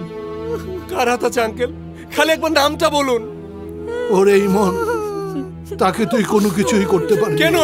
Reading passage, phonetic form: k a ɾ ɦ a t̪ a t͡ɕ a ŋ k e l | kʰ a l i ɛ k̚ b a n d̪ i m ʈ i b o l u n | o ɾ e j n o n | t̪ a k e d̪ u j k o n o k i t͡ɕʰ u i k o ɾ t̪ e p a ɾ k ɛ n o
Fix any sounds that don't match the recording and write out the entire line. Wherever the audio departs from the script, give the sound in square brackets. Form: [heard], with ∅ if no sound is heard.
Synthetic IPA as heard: k a ɾ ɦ a t̪ a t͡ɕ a ŋ k e l | kʰ a l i ɛ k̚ b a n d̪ [a] m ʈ [a] b o l u n | o ɾ e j [m] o n | t̪ a k e [t̪] u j k o n o k i t͡ɕʰ u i k o ɾ t̪ e p a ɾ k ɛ n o